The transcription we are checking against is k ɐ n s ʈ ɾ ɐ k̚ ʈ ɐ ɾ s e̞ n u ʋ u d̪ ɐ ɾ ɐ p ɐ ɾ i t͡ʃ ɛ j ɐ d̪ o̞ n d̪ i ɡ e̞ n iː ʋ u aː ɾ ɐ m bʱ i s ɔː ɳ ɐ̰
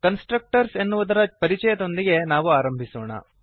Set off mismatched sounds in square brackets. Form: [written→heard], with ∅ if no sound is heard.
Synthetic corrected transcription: k ɐ n s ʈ ɾ ɐ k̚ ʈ ɐ ɾ s e̞ [n→nː] u ʋ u d̪ ɐ ɾ ɐ p ɐ ɾ i t͡ʃ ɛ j ɐ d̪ o̞ n d̪ i ɡ e̞ n [iː→aː] ʋ u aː ɾ ɐ m bʱ i s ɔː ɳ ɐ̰